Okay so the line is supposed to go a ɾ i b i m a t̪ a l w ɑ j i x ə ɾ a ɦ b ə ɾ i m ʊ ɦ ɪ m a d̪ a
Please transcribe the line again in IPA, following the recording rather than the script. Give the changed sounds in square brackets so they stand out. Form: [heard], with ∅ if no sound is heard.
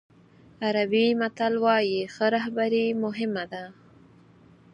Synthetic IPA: a ɾ [a] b i m a t̪ a l w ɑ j i x ə ɾ a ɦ b [a] ɾ i m ʊ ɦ ɪ m a d̪ a